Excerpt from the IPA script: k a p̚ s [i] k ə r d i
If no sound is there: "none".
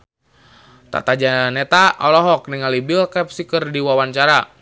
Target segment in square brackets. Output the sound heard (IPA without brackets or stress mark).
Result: i